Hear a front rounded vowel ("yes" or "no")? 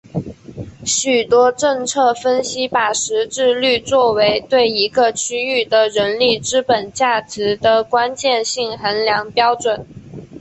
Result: yes